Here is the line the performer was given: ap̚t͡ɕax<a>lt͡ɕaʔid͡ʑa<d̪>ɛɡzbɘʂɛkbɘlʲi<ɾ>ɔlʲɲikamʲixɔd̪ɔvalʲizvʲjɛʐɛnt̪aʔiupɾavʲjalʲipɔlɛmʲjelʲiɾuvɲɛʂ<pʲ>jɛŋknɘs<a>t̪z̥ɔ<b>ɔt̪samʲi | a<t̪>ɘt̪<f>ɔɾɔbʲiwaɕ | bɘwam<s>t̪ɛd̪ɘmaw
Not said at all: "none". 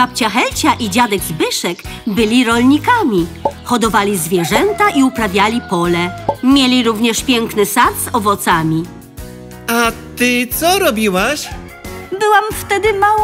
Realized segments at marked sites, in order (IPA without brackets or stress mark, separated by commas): ɛ, d̪, ɾ, pʲ, a, v, t̪, s, f